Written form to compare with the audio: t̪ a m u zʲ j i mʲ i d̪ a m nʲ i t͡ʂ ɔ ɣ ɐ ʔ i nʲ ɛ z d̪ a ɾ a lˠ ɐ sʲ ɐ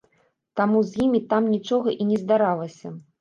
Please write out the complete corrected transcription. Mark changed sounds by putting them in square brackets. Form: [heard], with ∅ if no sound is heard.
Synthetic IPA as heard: t̪ a m u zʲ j i mʲ i [t̪] a m nʲ i t͡ʂ ɔ ɣ ɐ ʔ i nʲ ɛ z d̪ a ɾ a lˠ ɐ sʲ ɐ